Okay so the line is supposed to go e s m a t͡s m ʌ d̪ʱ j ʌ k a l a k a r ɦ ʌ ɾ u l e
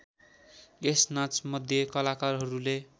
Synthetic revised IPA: e s n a t͡s m ʌ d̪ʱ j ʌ k ʌ l a k a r ɦ ʌ ɾ u l e